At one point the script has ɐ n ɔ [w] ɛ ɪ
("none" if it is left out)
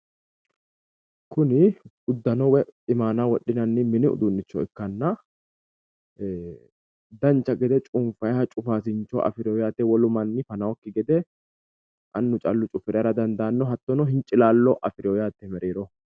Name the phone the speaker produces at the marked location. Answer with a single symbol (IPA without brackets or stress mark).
w